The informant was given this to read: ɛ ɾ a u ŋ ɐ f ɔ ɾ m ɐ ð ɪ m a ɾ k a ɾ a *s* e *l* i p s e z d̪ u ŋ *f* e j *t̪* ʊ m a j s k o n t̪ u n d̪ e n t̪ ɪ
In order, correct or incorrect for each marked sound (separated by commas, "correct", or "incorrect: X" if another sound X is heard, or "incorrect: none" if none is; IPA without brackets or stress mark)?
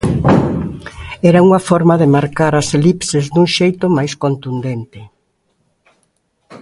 correct, correct, incorrect: ʃ, correct